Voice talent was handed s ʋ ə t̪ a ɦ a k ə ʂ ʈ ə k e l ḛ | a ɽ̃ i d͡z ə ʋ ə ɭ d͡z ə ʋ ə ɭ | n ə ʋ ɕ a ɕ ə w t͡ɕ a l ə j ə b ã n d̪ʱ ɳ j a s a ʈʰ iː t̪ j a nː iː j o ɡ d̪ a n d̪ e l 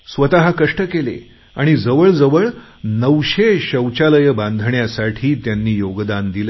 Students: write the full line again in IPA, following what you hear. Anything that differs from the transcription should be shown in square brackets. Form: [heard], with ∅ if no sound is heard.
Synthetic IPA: s ʋ ə t̪ a ɦ a k ə ʂ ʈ ə k e l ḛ | a ɽ̃ i d͡z ə ʋ ə ɭ d͡z ə ʋ ə ɭ | n ə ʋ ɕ [e] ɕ ə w t͡ɕ a l ə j ə b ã n d̪ʱ ɳ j a s a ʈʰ iː t̪ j a nː iː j o ɡ d̪ a n d̪ [i] l